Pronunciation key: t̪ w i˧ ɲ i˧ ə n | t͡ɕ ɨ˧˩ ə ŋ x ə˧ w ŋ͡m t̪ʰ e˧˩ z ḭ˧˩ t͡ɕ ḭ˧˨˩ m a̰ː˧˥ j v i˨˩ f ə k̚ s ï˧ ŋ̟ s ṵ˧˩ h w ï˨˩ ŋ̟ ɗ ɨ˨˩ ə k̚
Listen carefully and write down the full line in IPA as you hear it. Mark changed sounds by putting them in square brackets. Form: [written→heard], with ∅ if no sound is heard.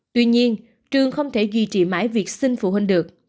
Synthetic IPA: t̪ w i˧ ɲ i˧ ə n | t͡ɕ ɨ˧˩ ə ŋ x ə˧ w ŋ͡m t̪ʰ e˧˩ z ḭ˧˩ t͡ɕ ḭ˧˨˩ m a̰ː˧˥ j v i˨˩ [f→∅] ə k̚ s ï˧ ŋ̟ [s→f] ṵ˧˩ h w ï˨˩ ŋ̟ ɗ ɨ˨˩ ə k̚